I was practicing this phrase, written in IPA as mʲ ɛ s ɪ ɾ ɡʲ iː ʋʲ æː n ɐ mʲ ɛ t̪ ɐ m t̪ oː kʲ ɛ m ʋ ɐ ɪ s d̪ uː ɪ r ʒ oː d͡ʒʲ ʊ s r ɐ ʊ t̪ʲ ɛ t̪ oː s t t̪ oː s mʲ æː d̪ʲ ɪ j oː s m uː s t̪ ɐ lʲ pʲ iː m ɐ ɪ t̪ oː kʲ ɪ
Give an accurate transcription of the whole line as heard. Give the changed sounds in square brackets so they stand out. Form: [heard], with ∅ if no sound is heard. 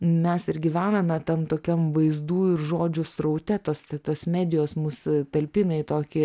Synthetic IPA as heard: mʲ ɛ s ɪ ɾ ɡʲ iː ʋʲ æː n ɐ mʲ ɛ t̪ ɐ m t̪ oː kʲ ɛ m ʋ ɐ ɪ [z] d̪ uː ɪ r ʒ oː d͡ʒʲ ʊ s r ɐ ʊ t̪ʲ ɛ t̪ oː s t t̪ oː s mʲ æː d̪ʲ ɪ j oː s m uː s t̪ ɐ lʲ pʲ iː [n] ɐ ɪ t̪ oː kʲ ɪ